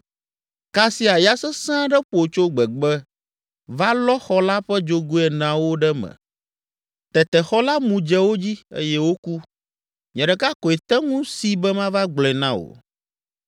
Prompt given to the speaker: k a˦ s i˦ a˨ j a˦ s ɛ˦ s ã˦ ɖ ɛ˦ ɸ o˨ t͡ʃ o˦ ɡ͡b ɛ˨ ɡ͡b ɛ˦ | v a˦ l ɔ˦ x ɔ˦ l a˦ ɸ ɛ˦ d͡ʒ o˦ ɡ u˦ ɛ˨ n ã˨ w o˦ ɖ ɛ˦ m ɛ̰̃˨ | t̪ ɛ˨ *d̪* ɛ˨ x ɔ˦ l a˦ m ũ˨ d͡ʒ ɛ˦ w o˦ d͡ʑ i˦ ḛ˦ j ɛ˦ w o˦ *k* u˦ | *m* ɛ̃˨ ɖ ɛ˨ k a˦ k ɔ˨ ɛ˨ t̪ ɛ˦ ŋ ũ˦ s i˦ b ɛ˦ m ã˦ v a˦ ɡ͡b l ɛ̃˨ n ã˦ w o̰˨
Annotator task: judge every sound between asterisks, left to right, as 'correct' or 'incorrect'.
incorrect: t̪, correct, incorrect: ɲ

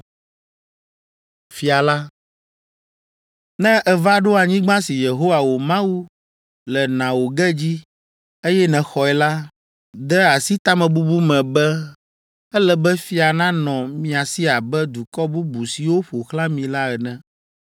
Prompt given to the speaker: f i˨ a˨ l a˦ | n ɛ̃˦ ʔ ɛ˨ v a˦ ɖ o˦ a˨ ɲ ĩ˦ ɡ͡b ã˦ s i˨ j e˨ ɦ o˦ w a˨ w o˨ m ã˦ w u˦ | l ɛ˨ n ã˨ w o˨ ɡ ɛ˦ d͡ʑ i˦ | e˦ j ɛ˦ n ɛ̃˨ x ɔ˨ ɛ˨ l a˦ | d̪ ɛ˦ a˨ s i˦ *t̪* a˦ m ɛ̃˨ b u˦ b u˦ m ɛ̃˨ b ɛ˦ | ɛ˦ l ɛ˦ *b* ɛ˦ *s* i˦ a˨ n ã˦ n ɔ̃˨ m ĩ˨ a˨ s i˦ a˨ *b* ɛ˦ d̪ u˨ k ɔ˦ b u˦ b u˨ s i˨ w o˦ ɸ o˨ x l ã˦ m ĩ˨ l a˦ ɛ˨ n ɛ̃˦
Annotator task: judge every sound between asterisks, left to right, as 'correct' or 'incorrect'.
correct, correct, incorrect: f, correct

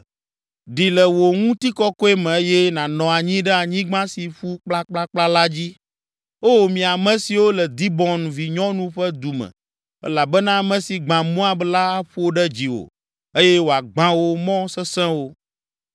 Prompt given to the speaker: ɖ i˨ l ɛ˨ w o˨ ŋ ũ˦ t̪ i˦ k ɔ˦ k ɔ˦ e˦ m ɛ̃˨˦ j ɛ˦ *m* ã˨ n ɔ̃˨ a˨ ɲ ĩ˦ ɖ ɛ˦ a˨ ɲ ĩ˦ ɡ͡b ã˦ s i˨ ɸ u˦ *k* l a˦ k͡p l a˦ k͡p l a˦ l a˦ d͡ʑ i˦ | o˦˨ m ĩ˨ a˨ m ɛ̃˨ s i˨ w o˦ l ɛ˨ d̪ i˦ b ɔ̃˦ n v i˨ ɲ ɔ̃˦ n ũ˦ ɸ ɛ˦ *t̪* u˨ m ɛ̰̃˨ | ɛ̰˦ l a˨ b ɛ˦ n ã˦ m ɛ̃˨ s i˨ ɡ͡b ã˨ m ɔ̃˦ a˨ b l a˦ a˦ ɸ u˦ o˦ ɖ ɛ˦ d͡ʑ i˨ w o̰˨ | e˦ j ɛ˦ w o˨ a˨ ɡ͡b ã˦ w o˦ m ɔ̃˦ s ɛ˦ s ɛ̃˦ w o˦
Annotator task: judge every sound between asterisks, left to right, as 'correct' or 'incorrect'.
incorrect: n, incorrect: k͡p, incorrect: d̪

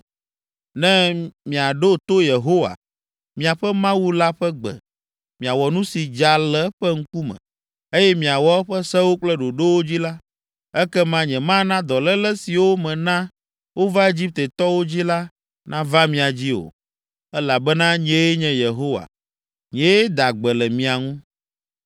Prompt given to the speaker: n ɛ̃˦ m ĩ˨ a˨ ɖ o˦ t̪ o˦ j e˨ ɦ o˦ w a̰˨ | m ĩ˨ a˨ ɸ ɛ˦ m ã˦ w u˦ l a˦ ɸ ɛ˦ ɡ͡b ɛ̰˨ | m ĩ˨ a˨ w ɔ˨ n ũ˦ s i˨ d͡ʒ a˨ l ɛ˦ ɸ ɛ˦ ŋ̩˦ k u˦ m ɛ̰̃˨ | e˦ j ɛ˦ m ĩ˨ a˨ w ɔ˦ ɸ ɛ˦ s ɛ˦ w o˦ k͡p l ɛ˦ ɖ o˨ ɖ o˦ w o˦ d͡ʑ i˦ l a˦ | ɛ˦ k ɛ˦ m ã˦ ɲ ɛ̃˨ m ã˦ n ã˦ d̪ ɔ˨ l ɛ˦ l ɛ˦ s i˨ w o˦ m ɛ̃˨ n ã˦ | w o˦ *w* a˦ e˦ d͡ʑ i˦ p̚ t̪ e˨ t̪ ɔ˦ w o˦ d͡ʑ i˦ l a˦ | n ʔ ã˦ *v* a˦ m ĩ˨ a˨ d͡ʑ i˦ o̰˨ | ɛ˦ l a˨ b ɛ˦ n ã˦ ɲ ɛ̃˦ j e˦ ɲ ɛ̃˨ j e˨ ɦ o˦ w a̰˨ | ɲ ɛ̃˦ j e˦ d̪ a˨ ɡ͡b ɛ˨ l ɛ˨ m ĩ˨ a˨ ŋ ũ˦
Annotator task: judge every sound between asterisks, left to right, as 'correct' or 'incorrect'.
incorrect: v, correct

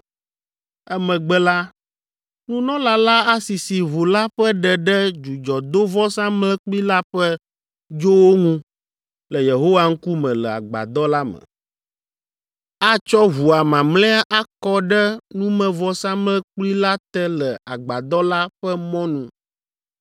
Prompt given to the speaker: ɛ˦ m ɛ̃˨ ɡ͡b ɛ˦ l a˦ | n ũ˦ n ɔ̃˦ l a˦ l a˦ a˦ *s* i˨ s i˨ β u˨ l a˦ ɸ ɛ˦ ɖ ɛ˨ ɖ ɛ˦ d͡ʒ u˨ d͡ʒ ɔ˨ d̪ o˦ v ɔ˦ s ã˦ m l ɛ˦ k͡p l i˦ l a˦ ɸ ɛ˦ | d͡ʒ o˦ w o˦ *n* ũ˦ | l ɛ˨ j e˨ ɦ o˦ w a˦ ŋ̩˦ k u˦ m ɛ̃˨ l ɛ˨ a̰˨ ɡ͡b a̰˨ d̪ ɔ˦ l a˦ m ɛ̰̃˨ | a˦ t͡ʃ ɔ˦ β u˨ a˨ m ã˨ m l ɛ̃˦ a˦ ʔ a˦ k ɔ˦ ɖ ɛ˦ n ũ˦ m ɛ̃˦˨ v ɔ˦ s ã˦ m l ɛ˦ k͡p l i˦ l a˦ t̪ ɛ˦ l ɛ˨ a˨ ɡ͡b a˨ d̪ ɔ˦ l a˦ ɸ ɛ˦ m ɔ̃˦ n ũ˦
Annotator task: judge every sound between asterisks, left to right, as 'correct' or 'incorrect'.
correct, incorrect: ŋ

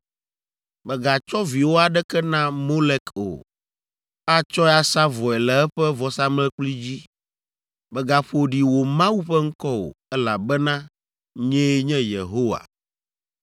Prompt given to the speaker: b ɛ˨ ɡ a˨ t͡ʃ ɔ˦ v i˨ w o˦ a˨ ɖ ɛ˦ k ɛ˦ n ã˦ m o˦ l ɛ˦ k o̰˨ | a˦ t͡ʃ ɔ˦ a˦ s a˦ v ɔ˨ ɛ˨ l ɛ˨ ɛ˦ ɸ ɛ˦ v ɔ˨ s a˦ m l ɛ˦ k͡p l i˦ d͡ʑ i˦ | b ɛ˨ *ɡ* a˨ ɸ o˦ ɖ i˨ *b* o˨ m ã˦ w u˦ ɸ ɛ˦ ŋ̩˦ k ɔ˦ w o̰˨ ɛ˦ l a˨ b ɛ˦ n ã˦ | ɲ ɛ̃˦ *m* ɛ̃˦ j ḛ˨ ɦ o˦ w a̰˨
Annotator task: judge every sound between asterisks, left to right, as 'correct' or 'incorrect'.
correct, incorrect: w, incorrect: ɲ

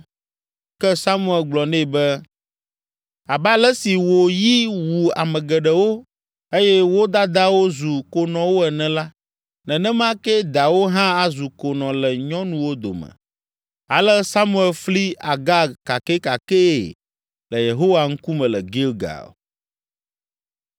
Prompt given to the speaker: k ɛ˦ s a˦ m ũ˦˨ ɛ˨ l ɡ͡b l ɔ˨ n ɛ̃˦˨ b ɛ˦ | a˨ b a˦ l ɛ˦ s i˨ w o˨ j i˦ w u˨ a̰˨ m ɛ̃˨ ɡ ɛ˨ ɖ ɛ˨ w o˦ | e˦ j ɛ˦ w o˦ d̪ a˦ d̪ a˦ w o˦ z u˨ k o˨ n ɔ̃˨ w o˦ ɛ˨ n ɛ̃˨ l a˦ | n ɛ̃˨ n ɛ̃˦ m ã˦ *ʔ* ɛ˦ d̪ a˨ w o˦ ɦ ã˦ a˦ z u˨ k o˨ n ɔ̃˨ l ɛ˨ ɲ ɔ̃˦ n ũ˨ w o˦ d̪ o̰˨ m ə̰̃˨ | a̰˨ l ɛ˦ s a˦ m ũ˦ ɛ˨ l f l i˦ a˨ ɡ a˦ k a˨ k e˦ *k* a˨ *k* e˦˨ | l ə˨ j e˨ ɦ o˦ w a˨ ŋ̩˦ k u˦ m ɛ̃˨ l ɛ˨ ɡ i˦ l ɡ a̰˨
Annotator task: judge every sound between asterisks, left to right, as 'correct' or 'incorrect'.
incorrect: k, correct, correct

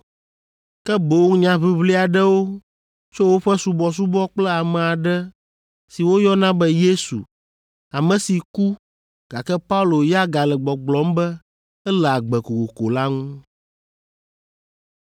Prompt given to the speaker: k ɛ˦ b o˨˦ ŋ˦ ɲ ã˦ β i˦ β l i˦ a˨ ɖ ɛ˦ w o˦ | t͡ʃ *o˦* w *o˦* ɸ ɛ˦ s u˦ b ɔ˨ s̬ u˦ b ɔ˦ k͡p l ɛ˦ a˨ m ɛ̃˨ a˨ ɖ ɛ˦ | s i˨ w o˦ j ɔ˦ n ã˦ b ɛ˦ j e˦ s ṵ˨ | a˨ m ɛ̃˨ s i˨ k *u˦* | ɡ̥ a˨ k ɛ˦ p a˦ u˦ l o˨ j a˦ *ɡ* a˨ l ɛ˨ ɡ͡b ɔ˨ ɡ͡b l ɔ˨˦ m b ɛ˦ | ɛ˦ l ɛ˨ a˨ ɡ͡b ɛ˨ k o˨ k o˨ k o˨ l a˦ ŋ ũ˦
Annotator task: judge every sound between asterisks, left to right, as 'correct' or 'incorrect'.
correct, correct, correct, correct

